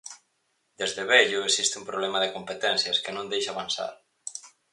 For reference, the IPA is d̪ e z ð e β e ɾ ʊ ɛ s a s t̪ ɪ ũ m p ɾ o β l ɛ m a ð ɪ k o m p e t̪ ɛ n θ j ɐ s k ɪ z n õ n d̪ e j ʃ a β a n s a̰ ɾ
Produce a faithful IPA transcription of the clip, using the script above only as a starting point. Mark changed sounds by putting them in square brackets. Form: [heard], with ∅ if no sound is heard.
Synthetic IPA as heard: d̪ e z ð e β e [ʎ] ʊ [e] s [i] s t̪ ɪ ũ m p ɾ o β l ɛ m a ð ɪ k o m p e t̪ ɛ n θ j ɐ s k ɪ [∅] n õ n d̪ e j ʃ a β a n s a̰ ɾ